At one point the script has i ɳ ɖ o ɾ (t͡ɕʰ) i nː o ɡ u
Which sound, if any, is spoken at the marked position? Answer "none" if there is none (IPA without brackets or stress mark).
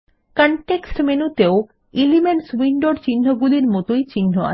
t͡ɕ